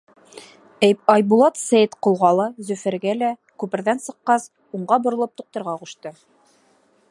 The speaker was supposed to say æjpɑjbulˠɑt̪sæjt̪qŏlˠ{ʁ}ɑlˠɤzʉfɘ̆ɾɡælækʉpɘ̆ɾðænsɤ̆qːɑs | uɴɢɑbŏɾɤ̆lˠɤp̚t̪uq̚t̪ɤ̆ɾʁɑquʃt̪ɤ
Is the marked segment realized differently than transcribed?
no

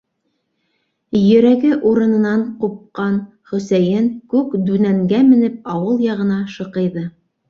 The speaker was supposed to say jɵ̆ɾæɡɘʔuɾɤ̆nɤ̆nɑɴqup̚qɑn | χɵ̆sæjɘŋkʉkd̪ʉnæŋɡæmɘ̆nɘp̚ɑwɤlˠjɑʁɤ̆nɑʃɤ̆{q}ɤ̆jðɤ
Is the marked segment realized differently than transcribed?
no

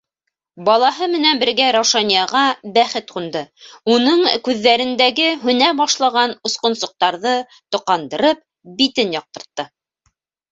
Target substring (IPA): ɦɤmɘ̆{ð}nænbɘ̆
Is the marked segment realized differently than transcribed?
yes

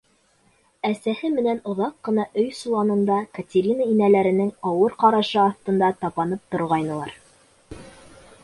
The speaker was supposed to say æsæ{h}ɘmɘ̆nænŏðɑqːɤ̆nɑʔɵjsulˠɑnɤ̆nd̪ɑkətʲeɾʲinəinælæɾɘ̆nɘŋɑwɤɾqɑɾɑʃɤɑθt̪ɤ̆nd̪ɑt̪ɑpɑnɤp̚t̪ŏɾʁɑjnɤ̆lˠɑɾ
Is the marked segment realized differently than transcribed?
no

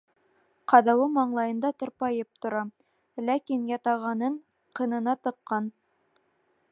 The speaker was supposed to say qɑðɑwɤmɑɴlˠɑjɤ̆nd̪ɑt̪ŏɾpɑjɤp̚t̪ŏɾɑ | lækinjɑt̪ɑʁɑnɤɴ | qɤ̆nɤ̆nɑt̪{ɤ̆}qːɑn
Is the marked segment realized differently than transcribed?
no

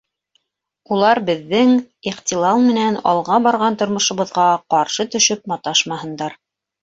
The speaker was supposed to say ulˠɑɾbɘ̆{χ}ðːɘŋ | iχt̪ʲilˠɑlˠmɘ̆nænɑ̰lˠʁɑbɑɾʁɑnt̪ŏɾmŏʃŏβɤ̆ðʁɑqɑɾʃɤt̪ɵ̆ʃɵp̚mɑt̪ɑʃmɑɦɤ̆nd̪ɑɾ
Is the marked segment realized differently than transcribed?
yes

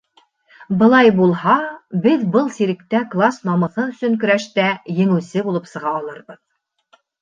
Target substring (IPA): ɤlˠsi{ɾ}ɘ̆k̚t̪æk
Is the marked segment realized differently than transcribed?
no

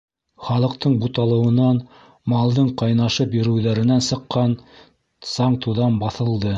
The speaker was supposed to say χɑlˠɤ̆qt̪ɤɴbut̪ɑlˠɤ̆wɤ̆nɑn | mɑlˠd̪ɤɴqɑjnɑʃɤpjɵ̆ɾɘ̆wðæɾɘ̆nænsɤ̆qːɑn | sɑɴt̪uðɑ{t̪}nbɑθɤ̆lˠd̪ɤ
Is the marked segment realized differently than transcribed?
yes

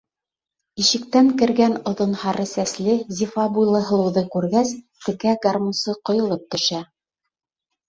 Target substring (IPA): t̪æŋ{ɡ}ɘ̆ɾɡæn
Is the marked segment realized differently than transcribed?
yes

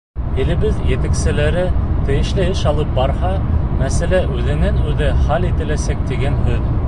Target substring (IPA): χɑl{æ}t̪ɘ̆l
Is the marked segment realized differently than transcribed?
yes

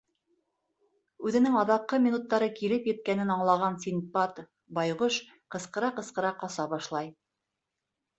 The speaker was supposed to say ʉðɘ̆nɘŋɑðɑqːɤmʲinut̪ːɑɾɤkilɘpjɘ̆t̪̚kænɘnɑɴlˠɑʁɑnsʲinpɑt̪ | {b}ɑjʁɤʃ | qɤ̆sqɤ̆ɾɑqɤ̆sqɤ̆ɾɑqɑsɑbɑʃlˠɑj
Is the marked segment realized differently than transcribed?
no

